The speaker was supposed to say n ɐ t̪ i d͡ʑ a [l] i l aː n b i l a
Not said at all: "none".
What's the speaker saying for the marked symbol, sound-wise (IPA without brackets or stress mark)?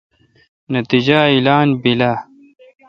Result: none